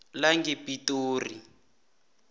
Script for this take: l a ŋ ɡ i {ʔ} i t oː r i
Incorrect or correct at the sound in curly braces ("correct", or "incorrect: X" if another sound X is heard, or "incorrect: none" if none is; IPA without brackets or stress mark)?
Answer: incorrect: p